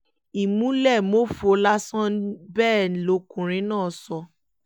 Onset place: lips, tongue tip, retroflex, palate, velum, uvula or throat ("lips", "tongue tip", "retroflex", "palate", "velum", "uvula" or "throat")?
lips